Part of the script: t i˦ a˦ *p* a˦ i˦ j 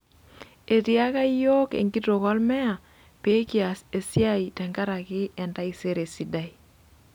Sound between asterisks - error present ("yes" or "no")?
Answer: yes